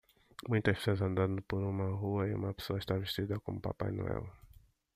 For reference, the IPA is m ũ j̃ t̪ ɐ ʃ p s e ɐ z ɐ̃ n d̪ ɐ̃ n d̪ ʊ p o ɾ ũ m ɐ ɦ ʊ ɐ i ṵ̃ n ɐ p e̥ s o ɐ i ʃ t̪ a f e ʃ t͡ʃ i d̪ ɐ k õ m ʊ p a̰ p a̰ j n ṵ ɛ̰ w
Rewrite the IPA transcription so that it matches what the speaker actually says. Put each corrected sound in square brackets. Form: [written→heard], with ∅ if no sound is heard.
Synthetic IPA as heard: m ũ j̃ t̪ ɐ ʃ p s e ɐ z ɐ̃ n d̪ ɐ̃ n d̪ ʊ p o ɾ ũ m ɐ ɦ [ʊ→u] ɐ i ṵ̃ [n→m] ɐ p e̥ s o ɐ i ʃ t̪ a [f→v] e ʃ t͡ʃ i d̪ ɐ k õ m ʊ p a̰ p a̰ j n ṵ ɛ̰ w